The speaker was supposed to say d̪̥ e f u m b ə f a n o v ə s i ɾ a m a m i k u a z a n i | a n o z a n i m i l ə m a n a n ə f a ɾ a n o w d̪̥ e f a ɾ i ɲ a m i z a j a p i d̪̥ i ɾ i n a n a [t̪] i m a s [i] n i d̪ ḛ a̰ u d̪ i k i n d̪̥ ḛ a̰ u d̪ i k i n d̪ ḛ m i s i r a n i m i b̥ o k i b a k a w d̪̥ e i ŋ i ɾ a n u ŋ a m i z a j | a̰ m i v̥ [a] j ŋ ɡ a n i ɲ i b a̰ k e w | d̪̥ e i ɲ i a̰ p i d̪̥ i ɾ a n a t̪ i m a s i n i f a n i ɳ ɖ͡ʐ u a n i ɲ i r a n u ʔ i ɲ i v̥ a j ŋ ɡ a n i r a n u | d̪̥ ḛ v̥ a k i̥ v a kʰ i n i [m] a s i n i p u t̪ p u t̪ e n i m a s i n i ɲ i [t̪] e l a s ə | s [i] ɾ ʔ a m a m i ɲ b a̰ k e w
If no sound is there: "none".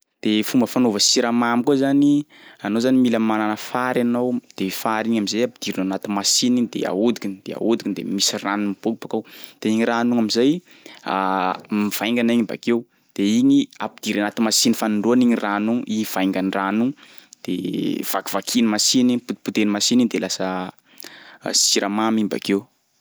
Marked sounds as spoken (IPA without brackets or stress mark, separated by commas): t̪, i, a, m, d̪, i